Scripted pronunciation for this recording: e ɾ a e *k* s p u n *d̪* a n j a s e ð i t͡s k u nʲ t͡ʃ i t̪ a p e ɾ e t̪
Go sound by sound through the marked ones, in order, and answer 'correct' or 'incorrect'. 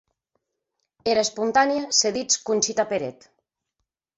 incorrect: none, incorrect: t̪

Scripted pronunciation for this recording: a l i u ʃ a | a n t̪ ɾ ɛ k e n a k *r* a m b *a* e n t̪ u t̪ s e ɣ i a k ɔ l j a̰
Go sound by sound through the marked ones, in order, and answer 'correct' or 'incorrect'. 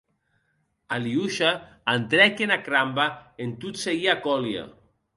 incorrect: ɾ, correct

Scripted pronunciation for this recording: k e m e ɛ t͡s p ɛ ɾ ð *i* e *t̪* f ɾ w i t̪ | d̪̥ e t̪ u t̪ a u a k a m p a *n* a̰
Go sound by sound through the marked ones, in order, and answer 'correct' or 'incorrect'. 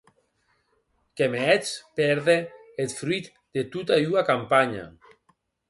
incorrect: e, correct, incorrect: ɲ

